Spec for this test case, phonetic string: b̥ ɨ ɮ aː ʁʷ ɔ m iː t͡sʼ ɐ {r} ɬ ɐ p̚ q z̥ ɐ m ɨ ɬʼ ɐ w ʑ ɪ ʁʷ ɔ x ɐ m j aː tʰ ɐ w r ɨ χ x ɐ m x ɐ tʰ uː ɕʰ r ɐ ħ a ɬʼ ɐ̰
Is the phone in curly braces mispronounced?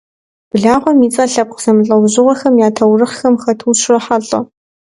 yes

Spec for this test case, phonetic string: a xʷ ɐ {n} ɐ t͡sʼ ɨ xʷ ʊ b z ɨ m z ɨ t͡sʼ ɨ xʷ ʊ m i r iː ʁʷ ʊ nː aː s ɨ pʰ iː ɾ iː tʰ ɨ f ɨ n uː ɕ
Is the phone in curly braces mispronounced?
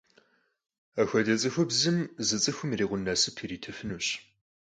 yes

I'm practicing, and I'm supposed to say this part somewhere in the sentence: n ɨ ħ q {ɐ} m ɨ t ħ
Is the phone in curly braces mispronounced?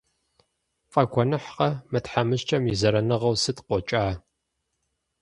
no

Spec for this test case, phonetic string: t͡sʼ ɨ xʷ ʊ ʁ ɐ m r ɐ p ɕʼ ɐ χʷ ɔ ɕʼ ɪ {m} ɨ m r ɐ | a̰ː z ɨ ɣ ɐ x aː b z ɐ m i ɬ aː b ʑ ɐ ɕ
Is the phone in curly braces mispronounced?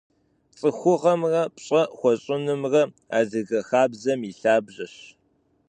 yes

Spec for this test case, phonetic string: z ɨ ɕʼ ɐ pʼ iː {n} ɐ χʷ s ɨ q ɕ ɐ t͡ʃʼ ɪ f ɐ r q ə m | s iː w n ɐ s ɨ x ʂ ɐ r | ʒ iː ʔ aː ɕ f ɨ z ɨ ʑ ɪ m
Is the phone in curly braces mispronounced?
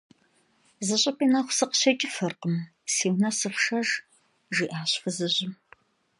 no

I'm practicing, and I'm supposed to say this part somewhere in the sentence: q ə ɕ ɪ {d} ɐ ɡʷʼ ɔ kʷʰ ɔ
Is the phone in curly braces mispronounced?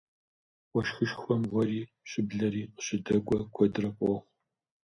no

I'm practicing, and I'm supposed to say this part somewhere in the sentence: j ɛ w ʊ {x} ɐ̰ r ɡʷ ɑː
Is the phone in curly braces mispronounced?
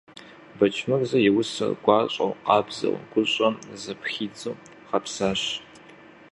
yes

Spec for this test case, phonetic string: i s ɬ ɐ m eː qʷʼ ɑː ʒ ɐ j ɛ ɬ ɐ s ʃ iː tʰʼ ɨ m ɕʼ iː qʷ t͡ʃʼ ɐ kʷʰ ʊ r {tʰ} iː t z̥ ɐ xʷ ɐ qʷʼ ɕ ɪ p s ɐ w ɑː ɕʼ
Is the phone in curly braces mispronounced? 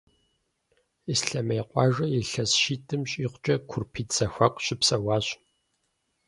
yes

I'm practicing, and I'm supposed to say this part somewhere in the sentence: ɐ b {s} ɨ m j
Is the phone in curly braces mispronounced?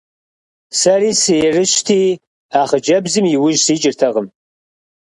yes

